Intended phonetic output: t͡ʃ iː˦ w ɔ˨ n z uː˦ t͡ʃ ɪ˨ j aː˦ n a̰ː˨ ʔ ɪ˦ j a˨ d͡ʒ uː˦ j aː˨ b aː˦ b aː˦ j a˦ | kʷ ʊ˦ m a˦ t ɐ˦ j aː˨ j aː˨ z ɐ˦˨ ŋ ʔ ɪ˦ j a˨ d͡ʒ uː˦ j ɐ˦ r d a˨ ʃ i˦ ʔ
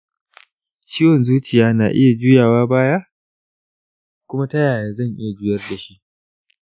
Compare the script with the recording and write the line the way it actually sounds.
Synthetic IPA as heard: t͡ʃ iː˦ w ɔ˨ n z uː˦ t͡ʃ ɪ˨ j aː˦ n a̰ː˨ ʔ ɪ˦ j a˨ d͡ʒ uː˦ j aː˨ w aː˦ b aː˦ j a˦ | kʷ ʊ˦ m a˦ t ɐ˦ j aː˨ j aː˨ z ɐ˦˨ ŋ ʔ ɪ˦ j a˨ d͡ʒ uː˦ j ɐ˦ r d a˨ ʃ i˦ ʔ